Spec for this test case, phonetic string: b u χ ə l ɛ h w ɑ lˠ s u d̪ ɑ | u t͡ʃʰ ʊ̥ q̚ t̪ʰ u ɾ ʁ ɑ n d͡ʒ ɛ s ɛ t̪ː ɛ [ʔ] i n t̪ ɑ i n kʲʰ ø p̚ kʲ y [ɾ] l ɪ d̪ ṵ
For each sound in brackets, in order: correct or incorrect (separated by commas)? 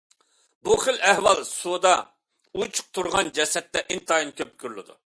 correct, correct